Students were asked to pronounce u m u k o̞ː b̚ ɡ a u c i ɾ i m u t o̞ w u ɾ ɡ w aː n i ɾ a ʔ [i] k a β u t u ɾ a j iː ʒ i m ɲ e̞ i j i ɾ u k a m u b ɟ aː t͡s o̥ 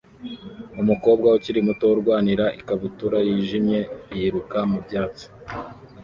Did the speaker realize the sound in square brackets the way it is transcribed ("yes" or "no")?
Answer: yes